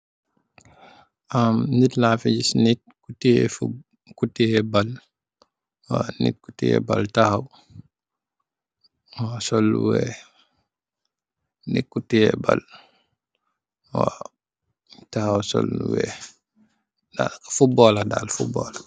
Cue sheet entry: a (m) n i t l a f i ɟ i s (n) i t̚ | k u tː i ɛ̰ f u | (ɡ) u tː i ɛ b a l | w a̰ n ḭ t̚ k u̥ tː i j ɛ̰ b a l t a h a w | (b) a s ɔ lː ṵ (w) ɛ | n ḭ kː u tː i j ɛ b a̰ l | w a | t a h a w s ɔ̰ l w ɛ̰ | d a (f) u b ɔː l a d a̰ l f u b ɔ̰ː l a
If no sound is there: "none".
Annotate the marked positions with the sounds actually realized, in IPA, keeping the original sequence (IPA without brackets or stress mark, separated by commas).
m, n, k, w, w, f